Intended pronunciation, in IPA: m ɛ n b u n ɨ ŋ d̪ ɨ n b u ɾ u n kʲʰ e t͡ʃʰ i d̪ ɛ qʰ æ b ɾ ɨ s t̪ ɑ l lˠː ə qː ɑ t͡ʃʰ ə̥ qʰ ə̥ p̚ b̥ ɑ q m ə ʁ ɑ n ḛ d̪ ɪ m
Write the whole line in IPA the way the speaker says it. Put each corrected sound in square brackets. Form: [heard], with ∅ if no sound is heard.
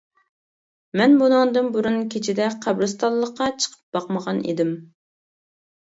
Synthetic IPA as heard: m ɛ n b u n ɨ ŋ d̪ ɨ n b u ɾ u n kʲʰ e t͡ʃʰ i d̪ ɛ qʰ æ b ɾ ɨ s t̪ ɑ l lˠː ə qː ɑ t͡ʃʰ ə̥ qʰ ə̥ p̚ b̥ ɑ q m ə ʁ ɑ n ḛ d̪ ɪ m